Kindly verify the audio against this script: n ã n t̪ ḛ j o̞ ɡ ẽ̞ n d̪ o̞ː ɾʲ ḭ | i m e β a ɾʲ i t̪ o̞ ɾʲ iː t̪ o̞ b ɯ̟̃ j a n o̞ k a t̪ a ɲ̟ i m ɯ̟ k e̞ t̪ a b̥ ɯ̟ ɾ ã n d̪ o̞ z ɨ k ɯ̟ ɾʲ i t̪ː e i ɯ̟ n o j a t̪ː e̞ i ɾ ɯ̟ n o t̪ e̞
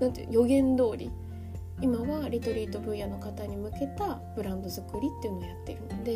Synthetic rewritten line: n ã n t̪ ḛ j o̞ ɡ ẽ̞ n d̪ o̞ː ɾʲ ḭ | i m a β a ɾʲ i t̪ o̞ ɾʲ iː t̪ o̞ b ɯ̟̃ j a n o̞ k a t̪ a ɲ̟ i m ɯ̟ k e̞ t̪ a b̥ ɯ̟ ɾ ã n d̪ o̞ z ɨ k ɯ̟ ɾʲ i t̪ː e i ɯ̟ n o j a t̪ː e̞ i ɾ ɯ̟ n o d̪ e̞